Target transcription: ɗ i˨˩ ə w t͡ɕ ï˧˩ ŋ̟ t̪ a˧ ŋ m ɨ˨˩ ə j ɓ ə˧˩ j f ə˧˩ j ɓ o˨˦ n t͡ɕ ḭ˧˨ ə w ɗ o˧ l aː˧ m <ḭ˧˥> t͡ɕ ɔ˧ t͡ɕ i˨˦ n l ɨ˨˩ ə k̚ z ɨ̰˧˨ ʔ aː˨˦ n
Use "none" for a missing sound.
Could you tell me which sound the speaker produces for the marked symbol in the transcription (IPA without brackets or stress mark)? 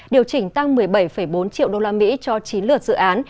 ḭ˧˥